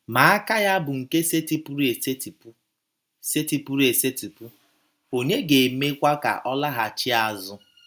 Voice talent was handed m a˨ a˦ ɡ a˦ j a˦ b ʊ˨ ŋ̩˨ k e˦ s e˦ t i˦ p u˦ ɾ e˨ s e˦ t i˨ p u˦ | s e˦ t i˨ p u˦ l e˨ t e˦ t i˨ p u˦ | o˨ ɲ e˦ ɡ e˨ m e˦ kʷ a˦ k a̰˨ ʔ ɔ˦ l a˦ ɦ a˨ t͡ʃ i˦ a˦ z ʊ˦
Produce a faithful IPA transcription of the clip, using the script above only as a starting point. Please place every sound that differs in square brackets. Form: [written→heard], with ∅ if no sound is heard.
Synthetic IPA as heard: m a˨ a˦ [ɡ→k] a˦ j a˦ b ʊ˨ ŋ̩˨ k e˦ s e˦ t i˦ p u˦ ɾ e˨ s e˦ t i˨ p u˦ | s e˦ t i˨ p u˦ [l→ɾ] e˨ [t→s] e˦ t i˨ p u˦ | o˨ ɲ e˦ ɡ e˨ m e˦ kʷ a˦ k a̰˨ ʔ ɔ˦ l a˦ ɦ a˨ t͡ʃ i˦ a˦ z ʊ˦